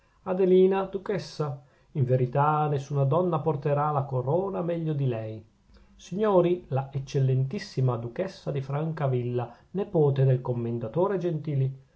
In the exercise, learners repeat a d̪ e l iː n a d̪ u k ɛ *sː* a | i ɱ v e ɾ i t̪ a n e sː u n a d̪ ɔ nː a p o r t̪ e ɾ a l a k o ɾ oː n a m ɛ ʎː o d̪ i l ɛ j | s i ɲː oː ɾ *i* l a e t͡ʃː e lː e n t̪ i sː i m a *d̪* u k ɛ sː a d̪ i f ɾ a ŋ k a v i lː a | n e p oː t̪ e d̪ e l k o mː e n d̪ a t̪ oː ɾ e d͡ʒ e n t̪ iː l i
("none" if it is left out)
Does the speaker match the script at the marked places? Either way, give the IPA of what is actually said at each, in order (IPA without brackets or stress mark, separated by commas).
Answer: sː, i, d̪